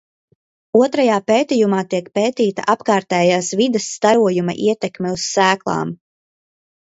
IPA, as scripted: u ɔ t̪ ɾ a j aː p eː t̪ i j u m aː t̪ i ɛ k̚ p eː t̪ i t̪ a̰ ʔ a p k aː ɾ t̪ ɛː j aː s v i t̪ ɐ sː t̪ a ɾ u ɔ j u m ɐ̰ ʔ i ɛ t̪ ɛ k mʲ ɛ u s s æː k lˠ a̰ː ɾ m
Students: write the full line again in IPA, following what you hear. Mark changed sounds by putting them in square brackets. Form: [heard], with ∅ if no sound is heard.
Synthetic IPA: u ɔ t̪ ɾ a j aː p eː t̪ i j u m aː t̪ i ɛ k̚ p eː t̪ [iː] t̪ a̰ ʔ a p k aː ɾ t̪ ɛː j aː s v i [d̪] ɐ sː t̪ a ɾ u ɔ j u m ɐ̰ ʔ i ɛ t̪ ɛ k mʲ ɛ u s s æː k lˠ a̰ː [∅] m

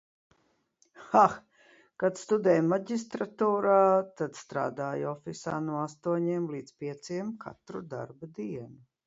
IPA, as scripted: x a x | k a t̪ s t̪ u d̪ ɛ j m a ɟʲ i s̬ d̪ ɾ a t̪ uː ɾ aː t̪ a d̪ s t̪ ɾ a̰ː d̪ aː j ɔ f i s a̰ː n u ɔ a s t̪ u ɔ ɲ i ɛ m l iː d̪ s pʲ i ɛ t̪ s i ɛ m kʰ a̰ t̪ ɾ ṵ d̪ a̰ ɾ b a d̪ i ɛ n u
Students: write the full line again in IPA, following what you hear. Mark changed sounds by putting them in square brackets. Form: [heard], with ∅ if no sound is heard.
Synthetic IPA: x a x | k a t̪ s t̪ u d̪ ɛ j m a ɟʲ i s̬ [t̪] ɾ a t̪ uː ɾ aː t̪ a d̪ s t̪ ɾ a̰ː d̪ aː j ɔ f i s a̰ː n u ɔ a s t̪ u ɔ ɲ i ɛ m l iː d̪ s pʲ i ɛ t̪ s i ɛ m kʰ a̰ t̪ ɾ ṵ d̪ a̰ ɾ b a d̪ i ɛ n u

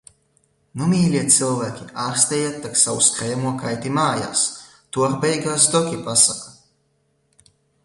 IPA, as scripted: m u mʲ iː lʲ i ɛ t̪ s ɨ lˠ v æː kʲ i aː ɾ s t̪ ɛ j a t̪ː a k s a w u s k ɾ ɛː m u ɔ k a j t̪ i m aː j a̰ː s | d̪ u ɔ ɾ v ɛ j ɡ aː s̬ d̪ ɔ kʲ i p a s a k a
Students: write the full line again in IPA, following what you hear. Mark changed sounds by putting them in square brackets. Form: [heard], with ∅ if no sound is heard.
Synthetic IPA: [n] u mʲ iː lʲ i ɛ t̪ s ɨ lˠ v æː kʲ i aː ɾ s t̪ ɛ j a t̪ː a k s a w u s k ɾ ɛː m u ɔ k a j t̪ i m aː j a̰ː s | [t̪] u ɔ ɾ [b] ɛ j ɡ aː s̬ d̪ ɔ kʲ i p a s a k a

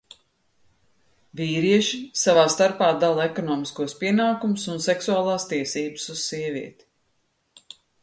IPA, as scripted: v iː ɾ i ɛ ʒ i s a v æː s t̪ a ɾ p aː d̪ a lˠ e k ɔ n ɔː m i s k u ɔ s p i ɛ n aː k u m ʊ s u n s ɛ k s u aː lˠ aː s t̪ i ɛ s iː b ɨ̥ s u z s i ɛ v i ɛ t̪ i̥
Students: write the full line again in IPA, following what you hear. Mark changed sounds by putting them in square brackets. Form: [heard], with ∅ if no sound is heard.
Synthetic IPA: v iː ɾ i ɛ [ʃ] i s a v [aː] s t̪ a ɾ p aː d̪ a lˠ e k ɔ n ɔː m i s k u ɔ s p i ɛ n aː k u m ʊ s u n s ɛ k s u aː lˠ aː s t̪ i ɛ s iː b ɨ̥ s u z s i ɛ v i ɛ t̪ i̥

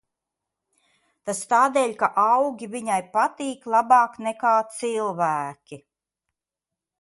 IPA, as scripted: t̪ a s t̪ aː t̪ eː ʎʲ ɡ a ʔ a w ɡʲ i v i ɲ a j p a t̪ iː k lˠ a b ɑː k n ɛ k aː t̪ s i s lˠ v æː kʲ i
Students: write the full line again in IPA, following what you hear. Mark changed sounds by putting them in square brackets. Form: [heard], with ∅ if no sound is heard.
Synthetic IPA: t̪ a s t̪ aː [d̪] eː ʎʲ [k] a ʔ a w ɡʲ i v i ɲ a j p a t̪ iː k lˠ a b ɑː k n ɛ k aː t̪ s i [∅] lˠ v æː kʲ i

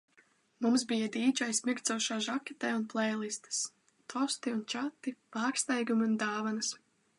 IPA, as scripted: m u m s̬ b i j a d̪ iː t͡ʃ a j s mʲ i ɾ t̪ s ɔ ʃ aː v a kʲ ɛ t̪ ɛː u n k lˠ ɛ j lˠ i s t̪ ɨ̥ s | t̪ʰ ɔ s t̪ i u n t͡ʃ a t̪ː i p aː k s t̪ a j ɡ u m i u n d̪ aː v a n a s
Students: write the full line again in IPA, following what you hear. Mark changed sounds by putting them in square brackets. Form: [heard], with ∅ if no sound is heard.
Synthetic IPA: m u m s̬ b i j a d̪ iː t͡ʃ a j s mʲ i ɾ t̪ s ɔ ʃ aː [ʒ] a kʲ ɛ t̪ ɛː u n [p] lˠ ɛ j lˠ i s t̪ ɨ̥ s | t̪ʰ ɔ s t̪ i u n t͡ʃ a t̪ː i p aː k s t̪ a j ɡ u m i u n d̪ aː v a n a s

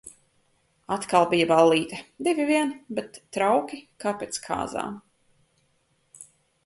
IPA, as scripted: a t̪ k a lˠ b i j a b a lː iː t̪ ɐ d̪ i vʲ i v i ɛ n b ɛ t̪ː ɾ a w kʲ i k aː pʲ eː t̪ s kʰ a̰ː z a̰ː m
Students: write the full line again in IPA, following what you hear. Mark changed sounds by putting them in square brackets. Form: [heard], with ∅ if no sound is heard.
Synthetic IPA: a t̪ k a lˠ b i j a b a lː iː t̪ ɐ d̪ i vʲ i v i ɛ n b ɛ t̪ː ɾ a w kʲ i k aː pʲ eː t̪ s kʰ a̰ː z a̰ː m

